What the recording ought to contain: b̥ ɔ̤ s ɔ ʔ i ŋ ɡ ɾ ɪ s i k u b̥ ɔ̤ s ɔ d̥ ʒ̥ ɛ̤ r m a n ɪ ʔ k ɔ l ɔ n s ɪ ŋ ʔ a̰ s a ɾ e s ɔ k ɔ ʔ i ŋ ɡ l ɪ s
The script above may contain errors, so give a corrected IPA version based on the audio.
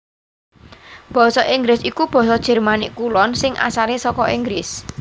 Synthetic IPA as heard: b̥ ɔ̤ s ɔ ʔ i ŋ ɡ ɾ ɪ s i k u b̥ ɔ̤ s ɔ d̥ ʒ̥ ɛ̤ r m a n ɪ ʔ k u l ɔ n s ɪ ŋ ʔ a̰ s a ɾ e s ɔ k ɔ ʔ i ŋ ɡ ɾ ɪ s